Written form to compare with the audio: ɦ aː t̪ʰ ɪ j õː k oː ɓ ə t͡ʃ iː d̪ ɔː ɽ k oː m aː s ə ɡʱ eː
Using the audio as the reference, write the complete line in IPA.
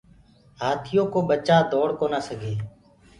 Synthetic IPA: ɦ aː t̪ʰ ɪ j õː k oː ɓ ə t͡ʃ aː d̪ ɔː ɽ k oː n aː s ə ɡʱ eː

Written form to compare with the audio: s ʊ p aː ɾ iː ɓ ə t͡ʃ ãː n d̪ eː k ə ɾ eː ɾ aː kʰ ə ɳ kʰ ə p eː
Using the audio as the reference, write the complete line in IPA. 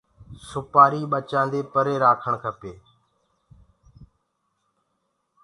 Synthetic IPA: s ʊ p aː ɾ iː ɓ ə t͡ʃ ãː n d̪ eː p ə ɾ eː ɾ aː kʰ ə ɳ kʰ ə p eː

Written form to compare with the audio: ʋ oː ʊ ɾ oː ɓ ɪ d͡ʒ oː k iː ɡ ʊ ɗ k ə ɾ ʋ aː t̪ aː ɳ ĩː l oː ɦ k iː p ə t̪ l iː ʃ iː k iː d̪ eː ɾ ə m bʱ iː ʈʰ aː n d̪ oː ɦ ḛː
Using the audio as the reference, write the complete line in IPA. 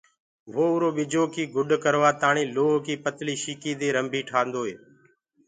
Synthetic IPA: ʋ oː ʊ ɾ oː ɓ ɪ d͡ʒ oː k iː ɡ ʊ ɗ k ə ɾ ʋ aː t̪ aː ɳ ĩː l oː ɦ k iː p ə t̪ l iː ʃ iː k iː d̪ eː ɾ ə m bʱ iː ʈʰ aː n d̪ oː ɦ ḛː

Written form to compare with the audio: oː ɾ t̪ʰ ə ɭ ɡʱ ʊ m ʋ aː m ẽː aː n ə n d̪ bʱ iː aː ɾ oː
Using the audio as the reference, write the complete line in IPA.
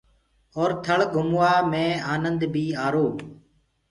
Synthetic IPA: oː ɾ t̪ʰ ə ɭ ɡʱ ʊ m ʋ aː m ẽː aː n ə n d̪ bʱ iː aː ɾ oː

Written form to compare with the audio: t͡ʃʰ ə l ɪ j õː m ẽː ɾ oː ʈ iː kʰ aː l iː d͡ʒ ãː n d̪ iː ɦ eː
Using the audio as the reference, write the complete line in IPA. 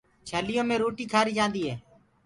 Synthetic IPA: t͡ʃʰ ə l ɪ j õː m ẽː ɾ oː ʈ iː kʰ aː ɾ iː d͡ʒ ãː n d̪ iː ɦ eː

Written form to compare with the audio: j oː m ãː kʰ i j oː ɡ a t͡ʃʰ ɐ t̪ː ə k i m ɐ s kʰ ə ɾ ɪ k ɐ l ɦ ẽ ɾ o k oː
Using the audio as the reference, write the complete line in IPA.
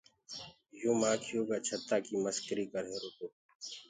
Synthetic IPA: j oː m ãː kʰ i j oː ɡ a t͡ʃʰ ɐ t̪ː a k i m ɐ s k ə ɾ i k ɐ ɾ ɦ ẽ ɾ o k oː

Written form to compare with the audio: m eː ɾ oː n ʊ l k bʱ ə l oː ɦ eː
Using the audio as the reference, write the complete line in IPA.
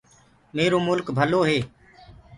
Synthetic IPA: m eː ɾ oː m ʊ l k bʱ ə l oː ɦ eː

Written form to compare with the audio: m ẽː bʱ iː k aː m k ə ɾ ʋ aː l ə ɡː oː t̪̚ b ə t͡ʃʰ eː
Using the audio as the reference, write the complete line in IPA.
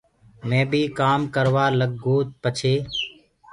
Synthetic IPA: m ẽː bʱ iː k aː m k ə ɾ ʋ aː l ə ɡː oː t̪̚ p ə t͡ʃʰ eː

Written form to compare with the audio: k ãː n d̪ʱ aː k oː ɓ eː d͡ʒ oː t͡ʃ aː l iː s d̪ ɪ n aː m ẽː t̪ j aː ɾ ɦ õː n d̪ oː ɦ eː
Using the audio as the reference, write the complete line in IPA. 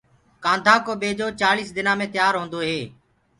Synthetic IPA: k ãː n d̪ʱ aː k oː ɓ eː d͡ʒ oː t͡ʃ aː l iː s d̪ ɪ n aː m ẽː t̪ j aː ɾ ɦ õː n d̪ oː ɦ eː

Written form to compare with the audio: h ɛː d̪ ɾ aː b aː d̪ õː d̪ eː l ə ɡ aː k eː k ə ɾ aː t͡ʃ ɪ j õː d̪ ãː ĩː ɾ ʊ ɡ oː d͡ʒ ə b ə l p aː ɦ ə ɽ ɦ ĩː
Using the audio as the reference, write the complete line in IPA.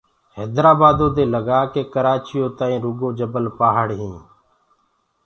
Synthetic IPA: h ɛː d̪ ɾ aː b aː d̪ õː d̪ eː l ə ɡ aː k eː k ə ɾ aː t͡ʃ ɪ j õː t̪ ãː ĩː ɾ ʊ ɡ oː d͡ʒ ə b ə l p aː ɦ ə ɽ ɦ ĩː

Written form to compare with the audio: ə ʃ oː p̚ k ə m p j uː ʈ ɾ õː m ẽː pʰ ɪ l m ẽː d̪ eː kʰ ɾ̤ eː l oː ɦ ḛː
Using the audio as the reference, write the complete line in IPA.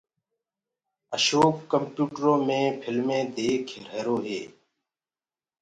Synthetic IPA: ə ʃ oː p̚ k ə m p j uː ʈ ɾ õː m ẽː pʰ ɪ l m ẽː d̪ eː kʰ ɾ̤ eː ɾ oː ɦ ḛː

